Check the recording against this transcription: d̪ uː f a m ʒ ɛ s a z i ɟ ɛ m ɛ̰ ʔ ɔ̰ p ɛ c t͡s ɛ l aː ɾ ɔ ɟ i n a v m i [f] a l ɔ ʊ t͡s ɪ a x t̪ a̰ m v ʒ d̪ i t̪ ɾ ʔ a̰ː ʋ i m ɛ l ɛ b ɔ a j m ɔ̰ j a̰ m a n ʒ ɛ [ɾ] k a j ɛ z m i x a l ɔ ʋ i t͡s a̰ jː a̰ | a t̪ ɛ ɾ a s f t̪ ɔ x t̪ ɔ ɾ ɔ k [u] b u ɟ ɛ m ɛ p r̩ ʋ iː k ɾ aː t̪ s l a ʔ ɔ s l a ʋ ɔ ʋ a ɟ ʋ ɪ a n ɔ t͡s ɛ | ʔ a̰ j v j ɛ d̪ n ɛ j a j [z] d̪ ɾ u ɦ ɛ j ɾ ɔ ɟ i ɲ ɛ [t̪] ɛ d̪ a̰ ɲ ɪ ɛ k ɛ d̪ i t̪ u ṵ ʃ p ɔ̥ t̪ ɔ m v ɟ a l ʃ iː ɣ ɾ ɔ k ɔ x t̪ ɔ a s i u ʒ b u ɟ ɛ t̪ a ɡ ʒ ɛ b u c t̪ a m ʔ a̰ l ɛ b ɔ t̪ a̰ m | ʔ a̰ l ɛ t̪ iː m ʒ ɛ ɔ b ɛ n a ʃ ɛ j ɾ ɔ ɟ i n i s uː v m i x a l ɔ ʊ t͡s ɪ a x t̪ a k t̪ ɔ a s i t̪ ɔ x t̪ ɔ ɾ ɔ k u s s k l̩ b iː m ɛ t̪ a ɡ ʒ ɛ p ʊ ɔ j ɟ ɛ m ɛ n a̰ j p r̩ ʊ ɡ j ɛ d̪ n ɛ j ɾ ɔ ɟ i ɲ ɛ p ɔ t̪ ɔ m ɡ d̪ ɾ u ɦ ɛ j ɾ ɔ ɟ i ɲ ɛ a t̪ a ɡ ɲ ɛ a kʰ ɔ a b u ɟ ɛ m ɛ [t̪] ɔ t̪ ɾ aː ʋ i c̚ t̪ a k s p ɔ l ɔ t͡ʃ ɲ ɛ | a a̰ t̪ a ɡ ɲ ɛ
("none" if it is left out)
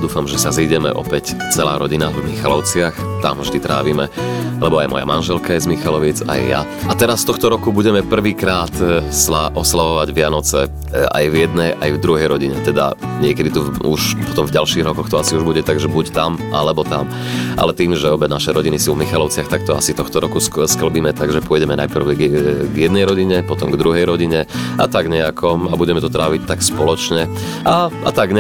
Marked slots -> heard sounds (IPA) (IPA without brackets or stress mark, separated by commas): x, l, u, v, t̪, t̪